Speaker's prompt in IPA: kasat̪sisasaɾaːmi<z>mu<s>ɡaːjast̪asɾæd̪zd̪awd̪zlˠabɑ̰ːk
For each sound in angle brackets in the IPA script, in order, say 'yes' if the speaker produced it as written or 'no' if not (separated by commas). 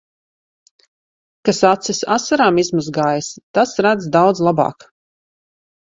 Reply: yes, no